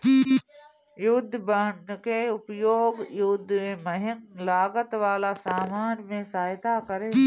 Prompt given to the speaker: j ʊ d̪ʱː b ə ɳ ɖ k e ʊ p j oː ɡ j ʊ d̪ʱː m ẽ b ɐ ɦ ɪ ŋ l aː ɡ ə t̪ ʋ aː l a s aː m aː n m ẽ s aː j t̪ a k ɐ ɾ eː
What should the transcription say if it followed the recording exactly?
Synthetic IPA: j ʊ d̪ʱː b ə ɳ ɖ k e ʊ p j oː ɡ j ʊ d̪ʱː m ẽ m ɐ ɦ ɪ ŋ l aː ɡ ə t̪ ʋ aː l a s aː m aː n m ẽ s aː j t̪ a k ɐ ɾ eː